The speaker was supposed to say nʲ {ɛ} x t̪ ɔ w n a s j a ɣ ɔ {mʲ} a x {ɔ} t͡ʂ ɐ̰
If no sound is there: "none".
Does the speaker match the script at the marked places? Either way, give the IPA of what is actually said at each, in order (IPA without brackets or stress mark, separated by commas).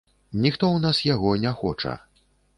i, nʲ, ɔ